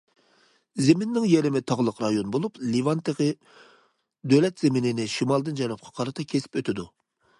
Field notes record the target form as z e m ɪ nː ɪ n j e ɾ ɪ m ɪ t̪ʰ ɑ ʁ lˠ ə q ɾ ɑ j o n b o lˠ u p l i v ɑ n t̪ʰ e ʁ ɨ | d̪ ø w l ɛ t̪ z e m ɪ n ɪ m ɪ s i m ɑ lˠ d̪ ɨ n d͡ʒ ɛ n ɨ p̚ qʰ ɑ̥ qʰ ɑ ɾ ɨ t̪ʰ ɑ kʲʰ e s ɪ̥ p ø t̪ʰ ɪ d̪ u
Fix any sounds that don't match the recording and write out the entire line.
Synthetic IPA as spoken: z e m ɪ nː ɪ ŋ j e ɾ ɪ m ɪ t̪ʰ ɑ ʁ lˠ ə q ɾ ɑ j o n b o lˠ u p l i v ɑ n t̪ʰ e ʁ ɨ | d̪ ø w l ɛ t̪ z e m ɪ n ɪ n ɪ ʃ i m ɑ lˠ d̪ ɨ n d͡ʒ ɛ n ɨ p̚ qʰ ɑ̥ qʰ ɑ ɾ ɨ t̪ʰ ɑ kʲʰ e s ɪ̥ p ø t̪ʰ ɪ d̪ u